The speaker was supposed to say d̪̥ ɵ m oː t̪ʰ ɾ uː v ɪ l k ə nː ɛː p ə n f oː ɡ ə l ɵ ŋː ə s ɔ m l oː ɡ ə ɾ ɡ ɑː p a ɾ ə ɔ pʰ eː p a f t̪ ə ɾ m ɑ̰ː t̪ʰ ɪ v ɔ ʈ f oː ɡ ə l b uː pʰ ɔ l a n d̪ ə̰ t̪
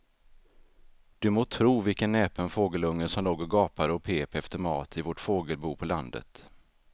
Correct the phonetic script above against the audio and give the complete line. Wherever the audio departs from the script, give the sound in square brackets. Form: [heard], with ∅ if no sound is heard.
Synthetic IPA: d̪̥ ɵ m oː t̪ʰ ɾ uː v ɪ l k ə nː ɛː p ə n f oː ɡ ə l ɵ ŋː ə s ɔ m l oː ɡ ə ɾ ɡ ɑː p a ɾ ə ɔ pʰ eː p [ɛ] f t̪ ə ɾ m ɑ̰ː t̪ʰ ɪ v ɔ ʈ f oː ɡ ə l b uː pʰ ɔ l a n d̪ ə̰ t̪